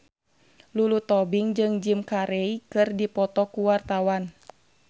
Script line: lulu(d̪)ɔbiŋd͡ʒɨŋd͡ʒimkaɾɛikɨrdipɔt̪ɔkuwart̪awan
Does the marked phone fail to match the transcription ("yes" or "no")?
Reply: yes